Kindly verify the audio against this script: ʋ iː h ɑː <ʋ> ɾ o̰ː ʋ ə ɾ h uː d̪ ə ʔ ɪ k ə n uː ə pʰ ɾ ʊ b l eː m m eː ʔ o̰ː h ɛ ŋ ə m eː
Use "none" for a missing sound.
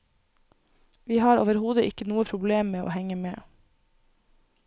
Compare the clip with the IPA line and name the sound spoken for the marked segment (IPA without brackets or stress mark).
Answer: none